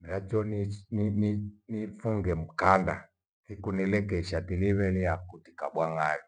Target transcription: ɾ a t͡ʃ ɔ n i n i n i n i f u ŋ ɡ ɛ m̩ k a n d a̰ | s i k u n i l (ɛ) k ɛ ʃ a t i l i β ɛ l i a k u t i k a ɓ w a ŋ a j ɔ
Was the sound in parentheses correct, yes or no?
yes